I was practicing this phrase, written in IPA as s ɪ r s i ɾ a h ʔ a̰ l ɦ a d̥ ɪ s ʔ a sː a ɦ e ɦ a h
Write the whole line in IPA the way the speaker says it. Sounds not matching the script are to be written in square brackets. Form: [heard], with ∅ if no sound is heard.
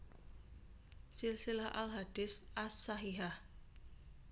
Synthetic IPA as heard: s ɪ [l] s i [l] a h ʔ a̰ l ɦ a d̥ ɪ s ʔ a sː a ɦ [i] ɦ a h